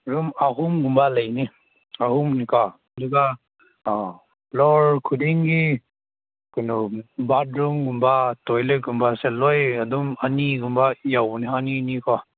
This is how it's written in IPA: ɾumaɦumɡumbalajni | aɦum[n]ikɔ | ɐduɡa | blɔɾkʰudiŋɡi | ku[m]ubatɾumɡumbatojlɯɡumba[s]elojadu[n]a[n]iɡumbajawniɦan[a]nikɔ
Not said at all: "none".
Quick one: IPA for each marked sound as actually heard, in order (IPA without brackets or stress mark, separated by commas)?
n, n, s, m, n, i